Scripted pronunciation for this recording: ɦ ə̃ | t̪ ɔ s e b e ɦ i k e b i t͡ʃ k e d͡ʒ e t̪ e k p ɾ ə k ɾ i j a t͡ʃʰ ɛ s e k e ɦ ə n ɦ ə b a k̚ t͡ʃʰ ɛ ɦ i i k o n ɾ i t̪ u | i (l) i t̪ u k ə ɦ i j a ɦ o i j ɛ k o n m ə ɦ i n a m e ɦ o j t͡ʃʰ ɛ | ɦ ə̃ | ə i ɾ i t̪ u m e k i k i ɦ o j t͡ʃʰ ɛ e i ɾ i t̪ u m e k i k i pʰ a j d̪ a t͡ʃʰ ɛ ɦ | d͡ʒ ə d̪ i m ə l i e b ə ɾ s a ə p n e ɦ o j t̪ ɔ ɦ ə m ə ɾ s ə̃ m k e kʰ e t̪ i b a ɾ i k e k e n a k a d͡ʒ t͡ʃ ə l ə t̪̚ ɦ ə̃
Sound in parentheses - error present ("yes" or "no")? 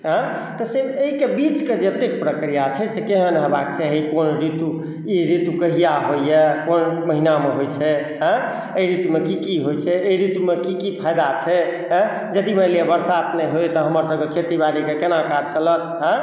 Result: yes